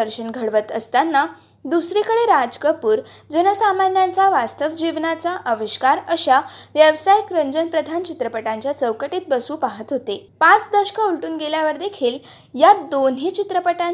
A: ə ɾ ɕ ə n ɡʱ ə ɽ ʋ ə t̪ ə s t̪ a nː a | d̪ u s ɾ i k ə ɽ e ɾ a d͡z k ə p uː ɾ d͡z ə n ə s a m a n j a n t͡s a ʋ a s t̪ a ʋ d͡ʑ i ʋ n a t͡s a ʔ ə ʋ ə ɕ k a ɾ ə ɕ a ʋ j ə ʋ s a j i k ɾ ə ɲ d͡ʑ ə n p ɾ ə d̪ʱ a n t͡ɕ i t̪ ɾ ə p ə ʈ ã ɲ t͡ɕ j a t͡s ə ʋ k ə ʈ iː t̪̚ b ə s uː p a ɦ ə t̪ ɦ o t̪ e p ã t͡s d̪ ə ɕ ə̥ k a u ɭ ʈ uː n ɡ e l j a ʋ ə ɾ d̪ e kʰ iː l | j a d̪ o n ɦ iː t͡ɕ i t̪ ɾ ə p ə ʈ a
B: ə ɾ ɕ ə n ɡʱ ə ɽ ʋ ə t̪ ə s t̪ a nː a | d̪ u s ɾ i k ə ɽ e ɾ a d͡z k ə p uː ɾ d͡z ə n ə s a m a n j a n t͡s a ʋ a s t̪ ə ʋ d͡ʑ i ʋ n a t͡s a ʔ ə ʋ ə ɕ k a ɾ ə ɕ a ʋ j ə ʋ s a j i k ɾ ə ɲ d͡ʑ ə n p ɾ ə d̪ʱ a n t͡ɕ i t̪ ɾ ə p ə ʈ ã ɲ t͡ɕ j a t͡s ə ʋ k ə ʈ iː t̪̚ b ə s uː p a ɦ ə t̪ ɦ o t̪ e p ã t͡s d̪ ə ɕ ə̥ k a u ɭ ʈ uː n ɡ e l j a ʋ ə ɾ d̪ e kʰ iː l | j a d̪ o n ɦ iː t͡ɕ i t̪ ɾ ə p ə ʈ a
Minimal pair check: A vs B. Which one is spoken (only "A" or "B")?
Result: B